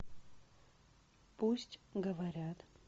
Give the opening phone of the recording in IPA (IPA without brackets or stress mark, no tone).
p